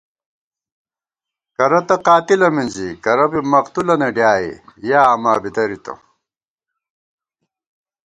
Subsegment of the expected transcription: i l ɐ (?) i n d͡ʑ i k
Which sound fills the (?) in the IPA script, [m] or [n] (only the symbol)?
m